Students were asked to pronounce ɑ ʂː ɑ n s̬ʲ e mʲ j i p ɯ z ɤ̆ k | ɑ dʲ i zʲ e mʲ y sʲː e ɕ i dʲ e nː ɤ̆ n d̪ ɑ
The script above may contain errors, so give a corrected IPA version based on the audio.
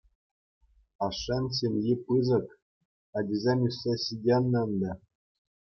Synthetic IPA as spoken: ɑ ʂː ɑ n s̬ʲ e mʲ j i p ɯ z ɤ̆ k | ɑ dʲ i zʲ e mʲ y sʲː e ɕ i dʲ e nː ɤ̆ n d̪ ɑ